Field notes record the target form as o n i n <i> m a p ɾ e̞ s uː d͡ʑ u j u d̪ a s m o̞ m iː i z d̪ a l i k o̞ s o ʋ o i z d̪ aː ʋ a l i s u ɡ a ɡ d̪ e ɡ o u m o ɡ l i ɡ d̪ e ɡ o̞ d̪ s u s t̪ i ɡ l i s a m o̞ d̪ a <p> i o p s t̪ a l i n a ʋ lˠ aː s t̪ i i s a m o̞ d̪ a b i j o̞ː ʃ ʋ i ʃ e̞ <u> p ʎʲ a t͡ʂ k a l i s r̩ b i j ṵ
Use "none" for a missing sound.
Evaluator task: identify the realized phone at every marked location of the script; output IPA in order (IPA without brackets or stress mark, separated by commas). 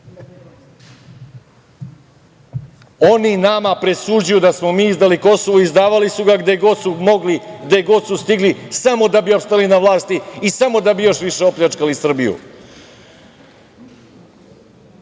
a, b, o